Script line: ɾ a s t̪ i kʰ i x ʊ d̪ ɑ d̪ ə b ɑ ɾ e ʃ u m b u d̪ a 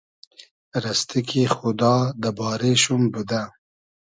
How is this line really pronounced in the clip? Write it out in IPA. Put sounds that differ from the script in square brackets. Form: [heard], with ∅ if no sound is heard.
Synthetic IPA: ɾ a s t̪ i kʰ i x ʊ d̪ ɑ d̪ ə b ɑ ɾ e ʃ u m b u d̪ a